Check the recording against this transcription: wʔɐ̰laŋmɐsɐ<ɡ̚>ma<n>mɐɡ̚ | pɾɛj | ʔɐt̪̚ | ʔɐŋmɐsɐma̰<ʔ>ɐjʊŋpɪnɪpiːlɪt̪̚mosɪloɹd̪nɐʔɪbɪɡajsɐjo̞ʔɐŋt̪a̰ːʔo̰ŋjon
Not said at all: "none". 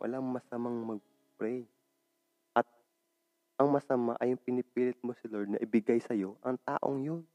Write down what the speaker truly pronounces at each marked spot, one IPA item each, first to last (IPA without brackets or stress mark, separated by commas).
none, ŋ, ʔ